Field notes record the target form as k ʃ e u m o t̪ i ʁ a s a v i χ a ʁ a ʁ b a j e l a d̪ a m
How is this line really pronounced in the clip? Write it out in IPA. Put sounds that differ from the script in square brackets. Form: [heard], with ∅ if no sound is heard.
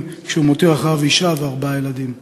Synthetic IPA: k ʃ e u m o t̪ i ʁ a [χ] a v i [ʃ] a [v] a ʁ b a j e l a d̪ [i] m